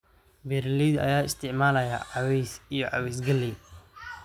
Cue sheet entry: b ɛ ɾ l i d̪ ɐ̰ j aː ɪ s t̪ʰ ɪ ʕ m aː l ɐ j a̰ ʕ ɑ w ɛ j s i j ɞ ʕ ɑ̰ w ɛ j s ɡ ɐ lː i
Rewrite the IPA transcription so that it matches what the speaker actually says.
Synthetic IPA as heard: b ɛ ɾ l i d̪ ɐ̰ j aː ɪ s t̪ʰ ɪ ʕ m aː l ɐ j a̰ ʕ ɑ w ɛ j s i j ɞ ʕ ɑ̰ w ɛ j s ɡ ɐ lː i